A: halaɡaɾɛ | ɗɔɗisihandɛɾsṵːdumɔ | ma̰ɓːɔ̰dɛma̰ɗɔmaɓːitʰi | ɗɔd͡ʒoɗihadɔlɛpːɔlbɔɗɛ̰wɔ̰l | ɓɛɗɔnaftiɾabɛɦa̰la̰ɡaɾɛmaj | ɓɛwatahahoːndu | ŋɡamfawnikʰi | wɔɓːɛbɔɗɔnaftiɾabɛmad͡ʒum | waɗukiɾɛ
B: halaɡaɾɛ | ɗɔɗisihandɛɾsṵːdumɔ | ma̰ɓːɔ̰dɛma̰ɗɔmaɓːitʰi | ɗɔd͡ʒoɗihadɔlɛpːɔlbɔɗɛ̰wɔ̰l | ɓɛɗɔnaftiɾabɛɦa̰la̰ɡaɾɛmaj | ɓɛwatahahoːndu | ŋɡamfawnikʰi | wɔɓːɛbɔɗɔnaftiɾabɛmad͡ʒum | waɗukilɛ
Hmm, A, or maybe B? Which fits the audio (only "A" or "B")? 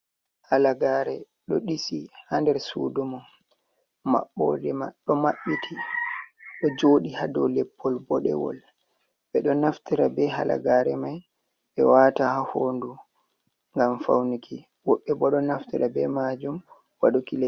B